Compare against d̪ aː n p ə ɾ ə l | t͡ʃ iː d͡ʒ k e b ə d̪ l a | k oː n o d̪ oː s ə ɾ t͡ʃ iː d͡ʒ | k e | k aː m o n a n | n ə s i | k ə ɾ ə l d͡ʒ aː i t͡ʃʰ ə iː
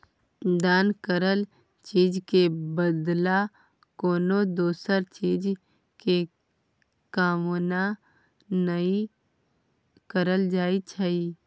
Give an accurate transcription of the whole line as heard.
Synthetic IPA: d̪ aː n k ə ɾ ə l | t͡ʃ iː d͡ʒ k e b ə d̪ l a | k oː n o d̪ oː s ə ɾ t͡ʃ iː d͡ʒ | k e | k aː m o n a | n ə i | k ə ɾ ə l d͡ʒ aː i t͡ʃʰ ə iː